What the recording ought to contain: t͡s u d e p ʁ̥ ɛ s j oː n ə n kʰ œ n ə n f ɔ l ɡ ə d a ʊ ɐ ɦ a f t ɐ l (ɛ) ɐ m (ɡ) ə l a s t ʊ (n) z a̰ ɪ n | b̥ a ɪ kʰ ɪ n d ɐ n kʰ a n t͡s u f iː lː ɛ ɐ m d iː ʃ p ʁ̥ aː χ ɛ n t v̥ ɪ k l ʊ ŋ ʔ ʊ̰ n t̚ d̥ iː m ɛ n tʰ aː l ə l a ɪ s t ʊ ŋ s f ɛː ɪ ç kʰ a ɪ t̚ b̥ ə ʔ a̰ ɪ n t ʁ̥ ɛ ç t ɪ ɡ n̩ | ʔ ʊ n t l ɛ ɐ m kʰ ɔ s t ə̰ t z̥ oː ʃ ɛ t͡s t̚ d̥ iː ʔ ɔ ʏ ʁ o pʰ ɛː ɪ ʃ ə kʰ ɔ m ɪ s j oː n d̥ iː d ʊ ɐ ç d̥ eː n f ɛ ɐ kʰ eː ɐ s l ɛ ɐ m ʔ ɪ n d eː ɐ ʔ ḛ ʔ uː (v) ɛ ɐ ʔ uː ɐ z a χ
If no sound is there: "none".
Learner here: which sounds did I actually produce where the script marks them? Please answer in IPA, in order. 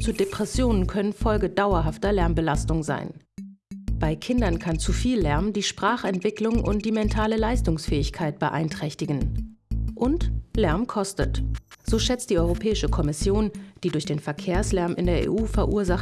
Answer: ɛ, b, ŋ, f

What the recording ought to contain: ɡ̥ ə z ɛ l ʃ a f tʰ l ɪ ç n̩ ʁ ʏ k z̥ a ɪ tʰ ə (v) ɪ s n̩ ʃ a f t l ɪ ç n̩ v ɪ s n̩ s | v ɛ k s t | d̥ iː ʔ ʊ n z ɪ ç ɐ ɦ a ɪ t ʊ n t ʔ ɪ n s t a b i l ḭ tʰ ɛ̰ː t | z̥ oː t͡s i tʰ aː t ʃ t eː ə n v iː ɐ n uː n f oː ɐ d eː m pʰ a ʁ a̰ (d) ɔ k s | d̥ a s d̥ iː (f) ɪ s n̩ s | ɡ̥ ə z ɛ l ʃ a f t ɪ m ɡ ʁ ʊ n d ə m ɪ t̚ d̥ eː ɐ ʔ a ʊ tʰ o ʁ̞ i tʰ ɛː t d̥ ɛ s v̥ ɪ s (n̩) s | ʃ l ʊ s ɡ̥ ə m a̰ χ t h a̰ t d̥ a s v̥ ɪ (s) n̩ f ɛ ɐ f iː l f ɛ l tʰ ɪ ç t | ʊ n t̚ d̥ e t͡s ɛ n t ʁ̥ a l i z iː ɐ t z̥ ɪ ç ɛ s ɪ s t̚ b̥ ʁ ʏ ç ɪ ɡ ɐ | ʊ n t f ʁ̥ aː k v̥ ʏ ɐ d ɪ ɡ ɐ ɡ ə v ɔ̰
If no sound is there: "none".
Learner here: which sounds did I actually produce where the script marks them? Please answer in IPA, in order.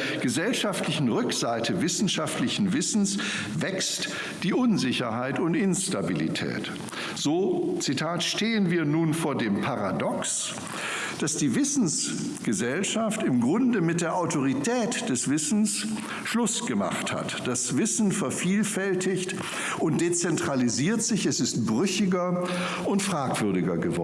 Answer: v, d, v, n̩, s

